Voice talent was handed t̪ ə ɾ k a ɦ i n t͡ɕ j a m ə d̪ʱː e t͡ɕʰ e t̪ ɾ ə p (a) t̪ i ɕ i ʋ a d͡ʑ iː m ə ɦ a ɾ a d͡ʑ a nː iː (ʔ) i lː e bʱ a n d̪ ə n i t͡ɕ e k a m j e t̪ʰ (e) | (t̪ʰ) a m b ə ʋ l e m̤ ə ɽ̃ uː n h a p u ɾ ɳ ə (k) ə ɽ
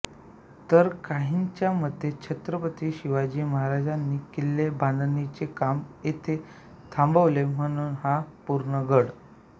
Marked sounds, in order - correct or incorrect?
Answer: incorrect, incorrect, correct, correct, incorrect

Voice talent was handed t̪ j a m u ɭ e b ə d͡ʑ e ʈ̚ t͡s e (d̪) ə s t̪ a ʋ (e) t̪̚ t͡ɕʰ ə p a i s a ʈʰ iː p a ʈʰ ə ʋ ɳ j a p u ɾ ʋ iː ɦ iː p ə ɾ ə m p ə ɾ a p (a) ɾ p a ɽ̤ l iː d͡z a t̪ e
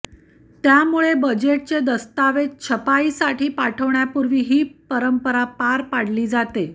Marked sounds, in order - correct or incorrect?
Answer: correct, correct, correct

